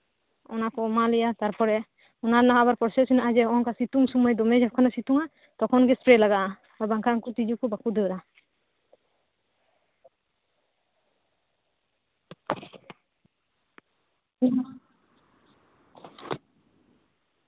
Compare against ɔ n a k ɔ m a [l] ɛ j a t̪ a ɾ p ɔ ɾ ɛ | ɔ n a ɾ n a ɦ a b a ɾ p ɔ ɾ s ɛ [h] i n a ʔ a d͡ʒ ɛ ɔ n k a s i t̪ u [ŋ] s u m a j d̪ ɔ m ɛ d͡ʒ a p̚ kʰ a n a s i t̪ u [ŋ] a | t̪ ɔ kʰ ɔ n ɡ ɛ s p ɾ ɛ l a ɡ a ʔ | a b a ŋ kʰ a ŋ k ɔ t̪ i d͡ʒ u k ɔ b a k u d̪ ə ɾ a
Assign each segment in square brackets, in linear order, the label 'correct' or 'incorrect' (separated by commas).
correct, incorrect, correct, correct